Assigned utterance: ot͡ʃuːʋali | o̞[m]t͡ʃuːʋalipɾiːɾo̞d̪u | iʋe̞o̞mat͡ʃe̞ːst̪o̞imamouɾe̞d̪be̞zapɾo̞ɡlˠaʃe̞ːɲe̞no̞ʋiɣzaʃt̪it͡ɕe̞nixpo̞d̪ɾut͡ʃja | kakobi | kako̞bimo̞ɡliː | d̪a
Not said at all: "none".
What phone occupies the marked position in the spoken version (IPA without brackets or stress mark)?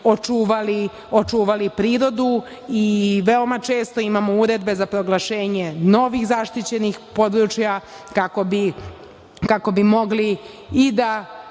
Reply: none